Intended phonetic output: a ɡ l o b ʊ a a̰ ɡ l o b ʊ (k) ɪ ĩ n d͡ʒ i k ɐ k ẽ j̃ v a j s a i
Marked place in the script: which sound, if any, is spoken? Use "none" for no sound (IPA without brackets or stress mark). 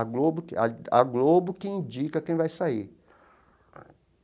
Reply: k